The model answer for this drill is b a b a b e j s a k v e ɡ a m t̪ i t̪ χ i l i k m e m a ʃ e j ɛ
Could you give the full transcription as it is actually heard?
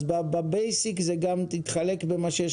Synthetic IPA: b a b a b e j s i k z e ɡ a m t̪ i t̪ χ a l e k b e m a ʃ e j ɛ